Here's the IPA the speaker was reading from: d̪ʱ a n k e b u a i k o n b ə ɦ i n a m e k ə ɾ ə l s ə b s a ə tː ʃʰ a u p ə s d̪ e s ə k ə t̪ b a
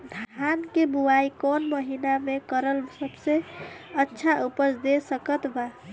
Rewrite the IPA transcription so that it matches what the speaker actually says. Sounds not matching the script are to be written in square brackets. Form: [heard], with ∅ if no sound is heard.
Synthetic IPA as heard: d̪ʱ a n k e b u a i k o n [m] ə ɦ i n a m e k ə ɾ ə l s ə b s [e] ə tː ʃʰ a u p ə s d̪ e s ə k ə t̪ b a